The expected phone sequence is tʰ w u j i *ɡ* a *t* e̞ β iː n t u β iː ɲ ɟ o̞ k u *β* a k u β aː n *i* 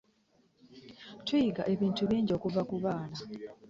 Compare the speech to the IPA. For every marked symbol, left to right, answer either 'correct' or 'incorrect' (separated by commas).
correct, incorrect, incorrect, incorrect